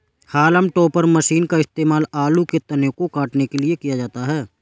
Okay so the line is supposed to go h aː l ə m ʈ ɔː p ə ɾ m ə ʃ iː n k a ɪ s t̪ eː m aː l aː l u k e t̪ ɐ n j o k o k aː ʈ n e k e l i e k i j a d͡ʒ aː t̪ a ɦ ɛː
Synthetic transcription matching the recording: h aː l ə m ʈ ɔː p ə ɾ m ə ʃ iː n k a ɪ s t̪ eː m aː l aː l u k e t̪ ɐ n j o k o k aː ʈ n e k e l i e k i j a d͡ʒ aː t̪ a ɦ ɛː